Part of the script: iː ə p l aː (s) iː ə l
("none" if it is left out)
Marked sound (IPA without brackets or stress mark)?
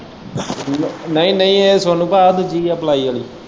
none